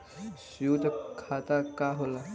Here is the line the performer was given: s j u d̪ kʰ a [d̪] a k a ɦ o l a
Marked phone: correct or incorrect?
incorrect